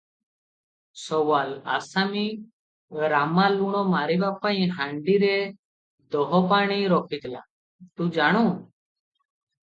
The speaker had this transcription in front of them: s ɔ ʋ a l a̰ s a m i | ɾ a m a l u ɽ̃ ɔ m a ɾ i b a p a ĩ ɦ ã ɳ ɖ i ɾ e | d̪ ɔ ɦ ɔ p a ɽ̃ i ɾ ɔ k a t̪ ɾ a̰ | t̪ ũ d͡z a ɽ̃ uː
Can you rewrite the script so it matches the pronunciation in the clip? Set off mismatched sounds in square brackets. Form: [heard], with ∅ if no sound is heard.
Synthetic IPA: s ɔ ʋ a l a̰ s a m i | ɾ a m a l u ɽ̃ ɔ m a ɾ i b a p a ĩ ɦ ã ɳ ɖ i ɾ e | d̪ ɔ ɦ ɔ p a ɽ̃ i ɾ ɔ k [i] t̪ [l] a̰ | t̪ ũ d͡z a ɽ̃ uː